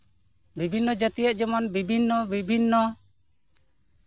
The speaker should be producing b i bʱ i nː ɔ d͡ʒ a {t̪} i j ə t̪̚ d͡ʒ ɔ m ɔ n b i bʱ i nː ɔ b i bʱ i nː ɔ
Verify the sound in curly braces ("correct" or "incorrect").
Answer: correct